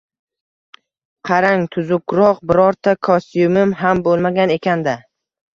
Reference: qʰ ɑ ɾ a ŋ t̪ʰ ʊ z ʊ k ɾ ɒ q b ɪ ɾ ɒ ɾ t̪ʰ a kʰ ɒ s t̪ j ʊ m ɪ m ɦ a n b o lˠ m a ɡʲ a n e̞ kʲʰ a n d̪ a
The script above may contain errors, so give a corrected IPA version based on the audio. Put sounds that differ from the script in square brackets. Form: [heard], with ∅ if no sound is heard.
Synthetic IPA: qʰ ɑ ɾ a ŋ t̪ʰ ʊ z ʊ k ɾ ɒ q b ɪ ɾ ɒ ɾ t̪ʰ a kʰ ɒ s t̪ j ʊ m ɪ m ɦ a [m] b o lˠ m a ɡʲ a n e̞ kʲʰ a n d̪ a